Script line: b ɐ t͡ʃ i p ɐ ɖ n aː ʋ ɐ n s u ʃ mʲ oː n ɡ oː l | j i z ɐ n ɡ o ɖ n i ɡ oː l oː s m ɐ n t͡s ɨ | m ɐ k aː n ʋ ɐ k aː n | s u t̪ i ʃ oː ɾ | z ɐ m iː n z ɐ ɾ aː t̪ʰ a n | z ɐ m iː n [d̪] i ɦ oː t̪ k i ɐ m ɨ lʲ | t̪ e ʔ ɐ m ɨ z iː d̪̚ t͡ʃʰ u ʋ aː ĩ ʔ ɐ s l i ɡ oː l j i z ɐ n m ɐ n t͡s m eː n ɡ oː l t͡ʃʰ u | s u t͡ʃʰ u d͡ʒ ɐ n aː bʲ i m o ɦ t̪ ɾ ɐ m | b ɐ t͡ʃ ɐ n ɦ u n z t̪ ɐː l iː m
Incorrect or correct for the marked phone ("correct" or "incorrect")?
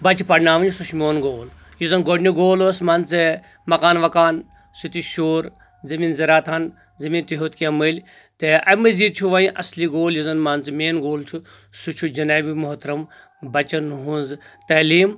incorrect